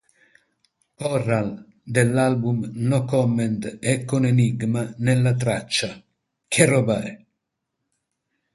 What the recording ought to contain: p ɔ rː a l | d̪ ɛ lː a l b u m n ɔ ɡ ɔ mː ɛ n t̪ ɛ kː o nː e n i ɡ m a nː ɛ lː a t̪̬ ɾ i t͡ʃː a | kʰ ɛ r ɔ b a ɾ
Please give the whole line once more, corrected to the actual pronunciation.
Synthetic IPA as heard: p ɔ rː a l | d̪ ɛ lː a l b u m n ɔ k ɔ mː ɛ n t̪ ɛ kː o n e n i ɡ m a n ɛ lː a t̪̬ ɾ a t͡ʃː a | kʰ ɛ r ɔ b a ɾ